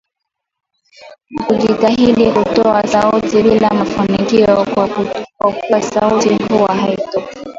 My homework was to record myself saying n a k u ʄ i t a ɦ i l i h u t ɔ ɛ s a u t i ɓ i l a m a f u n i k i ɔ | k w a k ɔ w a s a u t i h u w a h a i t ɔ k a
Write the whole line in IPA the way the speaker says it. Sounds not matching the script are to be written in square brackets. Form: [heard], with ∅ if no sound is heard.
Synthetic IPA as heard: n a k u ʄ i t a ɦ i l i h u t ɔ [a] s a u t i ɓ i l a m a f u n i k i ɔ | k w a k [u] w a s a u t i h u w a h a i t ɔ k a